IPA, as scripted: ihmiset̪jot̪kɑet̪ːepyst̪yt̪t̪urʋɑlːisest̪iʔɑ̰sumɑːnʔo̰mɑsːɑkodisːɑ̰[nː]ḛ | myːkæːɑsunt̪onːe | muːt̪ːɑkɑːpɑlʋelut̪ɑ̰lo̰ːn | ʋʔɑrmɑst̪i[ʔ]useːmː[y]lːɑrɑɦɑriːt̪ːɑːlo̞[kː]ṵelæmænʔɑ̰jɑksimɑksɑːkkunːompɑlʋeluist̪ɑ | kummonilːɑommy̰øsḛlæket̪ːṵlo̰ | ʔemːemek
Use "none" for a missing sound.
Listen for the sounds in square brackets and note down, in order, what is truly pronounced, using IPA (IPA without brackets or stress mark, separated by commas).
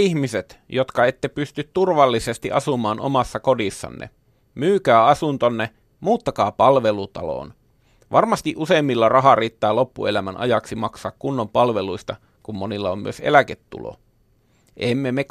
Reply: nː, ʔ, i, pː